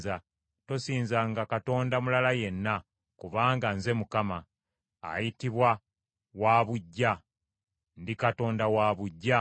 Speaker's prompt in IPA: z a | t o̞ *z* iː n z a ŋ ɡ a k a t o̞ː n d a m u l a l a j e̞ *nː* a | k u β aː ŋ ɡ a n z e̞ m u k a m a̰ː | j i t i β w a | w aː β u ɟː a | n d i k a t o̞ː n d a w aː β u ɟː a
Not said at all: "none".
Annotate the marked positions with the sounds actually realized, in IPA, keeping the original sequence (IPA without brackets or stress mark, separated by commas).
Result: s, nː